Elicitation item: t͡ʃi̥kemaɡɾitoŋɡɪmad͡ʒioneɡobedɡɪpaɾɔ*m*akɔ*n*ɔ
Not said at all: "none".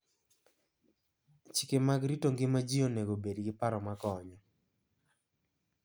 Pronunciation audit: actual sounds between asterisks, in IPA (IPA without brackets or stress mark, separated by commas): m, ɲ